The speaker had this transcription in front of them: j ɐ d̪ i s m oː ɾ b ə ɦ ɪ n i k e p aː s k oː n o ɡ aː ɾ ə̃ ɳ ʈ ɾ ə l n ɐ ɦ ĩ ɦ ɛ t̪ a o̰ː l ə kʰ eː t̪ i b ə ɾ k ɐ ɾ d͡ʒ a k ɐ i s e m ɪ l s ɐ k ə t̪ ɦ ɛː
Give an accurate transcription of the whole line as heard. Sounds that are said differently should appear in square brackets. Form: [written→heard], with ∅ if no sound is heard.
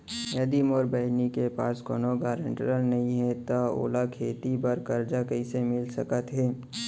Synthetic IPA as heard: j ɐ d̪ i [s→∅] m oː ɾ b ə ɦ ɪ n i k e p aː s k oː n o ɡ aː ɾ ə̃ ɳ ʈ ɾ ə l n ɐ ɦ ĩ ɦ ɛ t̪ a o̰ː l [ə→a] kʰ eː t̪ i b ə ɾ k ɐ ɾ d͡ʒ a k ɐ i s e m ɪ l s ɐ k ə t̪ ɦ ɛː